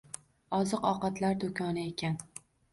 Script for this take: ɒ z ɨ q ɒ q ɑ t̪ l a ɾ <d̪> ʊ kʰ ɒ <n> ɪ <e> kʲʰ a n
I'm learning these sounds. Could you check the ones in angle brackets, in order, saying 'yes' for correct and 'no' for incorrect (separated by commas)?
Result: yes, yes, yes